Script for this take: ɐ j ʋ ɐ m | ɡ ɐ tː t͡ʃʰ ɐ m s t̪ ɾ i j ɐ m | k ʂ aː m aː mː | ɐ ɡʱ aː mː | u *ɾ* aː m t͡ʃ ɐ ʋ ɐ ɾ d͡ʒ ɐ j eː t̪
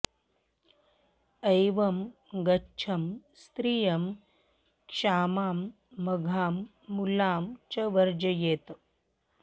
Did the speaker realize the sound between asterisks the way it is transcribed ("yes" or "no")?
no